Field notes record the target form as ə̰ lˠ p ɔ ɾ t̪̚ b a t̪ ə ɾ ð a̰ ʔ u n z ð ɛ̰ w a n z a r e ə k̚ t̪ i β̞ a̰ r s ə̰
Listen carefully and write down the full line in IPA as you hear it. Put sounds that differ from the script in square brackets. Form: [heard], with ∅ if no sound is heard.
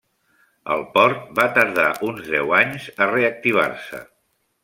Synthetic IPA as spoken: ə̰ lˠ p ɔ ɾ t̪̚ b a t̪ ə ɾ ð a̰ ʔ u n z ð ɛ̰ w a [ɲ] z [ə] r e ə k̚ t̪ i β̞ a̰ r s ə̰